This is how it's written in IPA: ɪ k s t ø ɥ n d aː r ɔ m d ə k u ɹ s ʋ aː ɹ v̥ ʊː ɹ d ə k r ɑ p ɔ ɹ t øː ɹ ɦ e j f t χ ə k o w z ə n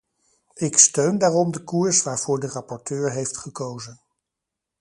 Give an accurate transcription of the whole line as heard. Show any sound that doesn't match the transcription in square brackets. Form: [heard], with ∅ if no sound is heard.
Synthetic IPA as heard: ɪ k s t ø ɥ n d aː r ɔ m d ə k u ɹ s ʋ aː ɹ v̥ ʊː ɹ d ə [∅] r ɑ p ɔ ɹ t øː ɹ ɦ e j f t χ ə k o w z ə n